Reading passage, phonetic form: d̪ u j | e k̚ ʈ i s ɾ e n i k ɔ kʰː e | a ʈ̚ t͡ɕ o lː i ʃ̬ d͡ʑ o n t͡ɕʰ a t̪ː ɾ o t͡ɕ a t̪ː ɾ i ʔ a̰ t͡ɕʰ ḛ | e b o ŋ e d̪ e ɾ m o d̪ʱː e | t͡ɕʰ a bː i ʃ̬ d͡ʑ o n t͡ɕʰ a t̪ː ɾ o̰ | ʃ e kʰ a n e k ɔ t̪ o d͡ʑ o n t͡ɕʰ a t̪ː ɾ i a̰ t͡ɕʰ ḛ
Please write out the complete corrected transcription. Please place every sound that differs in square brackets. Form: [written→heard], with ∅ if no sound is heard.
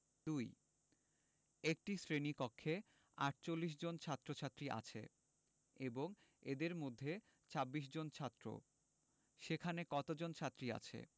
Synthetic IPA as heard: d̪ u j | e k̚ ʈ i s ɾ e n i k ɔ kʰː e | a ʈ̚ t͡ɕ o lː i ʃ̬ d͡ʑ o n t͡ɕʰ a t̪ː ɾ o [t͡ɕ→t͡ɕʰ] a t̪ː ɾ i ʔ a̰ t͡ɕʰ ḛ | e b o ŋ e d̪ e ɾ m o d̪ʱː e | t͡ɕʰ a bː i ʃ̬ d͡ʑ o n t͡ɕʰ a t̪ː ɾ o̰ | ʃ e kʰ a n e k ɔ t̪ o d͡ʑ o n t͡ɕʰ a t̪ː ɾ i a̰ t͡ɕʰ ḛ